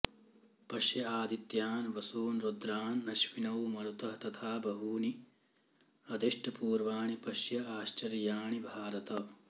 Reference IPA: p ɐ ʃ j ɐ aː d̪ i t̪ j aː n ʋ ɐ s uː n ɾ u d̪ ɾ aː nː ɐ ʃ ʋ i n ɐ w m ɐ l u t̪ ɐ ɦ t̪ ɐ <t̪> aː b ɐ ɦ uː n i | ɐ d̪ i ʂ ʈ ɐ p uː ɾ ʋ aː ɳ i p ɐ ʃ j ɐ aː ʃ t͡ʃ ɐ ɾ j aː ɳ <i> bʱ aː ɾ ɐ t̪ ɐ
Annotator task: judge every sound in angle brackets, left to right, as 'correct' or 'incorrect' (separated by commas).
incorrect, correct